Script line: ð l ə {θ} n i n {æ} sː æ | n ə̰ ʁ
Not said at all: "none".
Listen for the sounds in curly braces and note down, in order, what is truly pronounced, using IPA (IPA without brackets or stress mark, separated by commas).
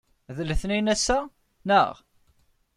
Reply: θ, æ